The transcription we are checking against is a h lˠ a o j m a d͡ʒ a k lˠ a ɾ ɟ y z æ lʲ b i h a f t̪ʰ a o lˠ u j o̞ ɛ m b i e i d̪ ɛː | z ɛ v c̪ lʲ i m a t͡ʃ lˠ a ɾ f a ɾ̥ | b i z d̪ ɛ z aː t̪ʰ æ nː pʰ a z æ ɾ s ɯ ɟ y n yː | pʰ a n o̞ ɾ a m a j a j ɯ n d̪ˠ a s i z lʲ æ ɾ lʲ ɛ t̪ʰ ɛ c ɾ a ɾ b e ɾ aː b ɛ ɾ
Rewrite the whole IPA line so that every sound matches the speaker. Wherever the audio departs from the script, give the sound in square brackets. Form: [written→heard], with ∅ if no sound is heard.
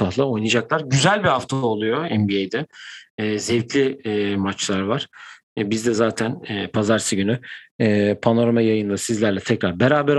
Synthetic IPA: a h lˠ a o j [m→n] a d͡ʒ a k lˠ a ɾ ɟ y z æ lʲ b i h a f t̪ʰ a o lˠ u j o̞ ɛ m b i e [i→j] d̪ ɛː | z ɛ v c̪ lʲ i m a t͡ʃ lˠ a ɾ [f→v] a ɾ̥ | b i z d̪ ɛ z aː t̪ʰ æ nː pʰ a z [æ→a] ɾ s ɯ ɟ y n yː | pʰ a n o̞ ɾ a m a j a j ɯ n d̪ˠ a s i z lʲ æ ɾ lʲ ɛ t̪ʰ ɛ c ɾ a ɾ b e ɾ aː b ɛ ɾ